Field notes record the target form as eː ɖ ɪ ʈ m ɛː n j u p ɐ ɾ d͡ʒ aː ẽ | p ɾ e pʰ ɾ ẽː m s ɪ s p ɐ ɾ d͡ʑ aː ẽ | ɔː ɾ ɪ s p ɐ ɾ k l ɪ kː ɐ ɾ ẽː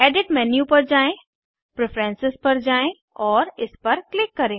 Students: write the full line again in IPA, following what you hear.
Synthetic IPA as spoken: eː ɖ ɪ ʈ m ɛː n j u p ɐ ɾ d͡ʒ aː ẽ | p ɾ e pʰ ɾ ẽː n s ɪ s p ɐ ɾ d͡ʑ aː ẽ | ɔː ɾ ɪ s p ɐ ɾ k l ɪ kː ɐ ɾ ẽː